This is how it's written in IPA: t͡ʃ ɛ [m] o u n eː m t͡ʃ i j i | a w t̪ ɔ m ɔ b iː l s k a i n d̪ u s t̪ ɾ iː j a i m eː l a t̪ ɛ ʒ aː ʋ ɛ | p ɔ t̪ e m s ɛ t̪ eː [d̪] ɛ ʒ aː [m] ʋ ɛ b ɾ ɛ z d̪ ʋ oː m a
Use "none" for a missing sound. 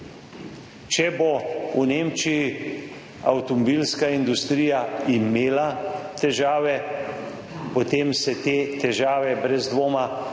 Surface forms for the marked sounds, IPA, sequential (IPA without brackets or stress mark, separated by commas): b, t̪, none